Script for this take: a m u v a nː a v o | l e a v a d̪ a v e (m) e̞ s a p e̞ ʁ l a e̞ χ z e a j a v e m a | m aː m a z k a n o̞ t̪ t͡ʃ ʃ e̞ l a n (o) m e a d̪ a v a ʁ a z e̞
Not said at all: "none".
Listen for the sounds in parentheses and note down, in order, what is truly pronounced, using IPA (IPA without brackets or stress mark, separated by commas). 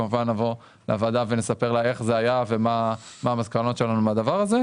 n, u